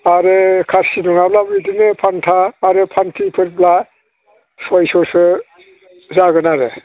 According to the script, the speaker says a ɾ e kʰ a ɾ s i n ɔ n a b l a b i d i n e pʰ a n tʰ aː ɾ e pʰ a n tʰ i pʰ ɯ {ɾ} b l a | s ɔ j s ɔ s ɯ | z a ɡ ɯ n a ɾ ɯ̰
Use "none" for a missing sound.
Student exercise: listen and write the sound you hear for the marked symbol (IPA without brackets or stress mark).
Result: ɾ